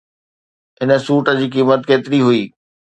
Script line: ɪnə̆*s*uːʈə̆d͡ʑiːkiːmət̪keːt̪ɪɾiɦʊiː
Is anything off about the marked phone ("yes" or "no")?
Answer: no